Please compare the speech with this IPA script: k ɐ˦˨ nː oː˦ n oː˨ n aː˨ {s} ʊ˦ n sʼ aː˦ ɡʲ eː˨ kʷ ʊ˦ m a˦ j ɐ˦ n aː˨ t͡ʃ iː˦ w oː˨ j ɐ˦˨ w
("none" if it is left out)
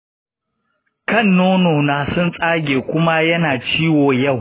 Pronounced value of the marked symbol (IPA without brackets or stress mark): s